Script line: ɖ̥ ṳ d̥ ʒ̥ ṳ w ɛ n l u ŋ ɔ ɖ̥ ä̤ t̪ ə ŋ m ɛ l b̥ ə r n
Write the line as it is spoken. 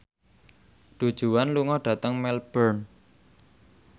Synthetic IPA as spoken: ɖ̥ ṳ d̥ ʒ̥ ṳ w a n l u ŋ ɔ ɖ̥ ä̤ t̪ ə ŋ m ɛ l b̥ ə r n